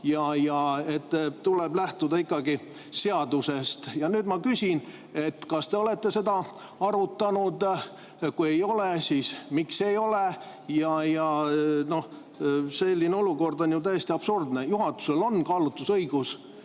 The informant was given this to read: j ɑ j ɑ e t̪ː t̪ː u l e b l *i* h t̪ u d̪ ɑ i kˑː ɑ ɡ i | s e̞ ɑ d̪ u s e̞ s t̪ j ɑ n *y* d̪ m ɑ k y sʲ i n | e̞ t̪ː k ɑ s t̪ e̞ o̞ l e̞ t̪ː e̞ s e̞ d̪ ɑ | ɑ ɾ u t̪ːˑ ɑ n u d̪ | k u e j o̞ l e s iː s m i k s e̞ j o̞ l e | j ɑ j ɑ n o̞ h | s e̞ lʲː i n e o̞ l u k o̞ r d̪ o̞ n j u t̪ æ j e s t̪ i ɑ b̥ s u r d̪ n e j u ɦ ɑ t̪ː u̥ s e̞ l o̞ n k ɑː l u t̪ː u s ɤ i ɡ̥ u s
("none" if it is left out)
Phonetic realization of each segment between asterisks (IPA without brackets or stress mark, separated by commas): æ, yː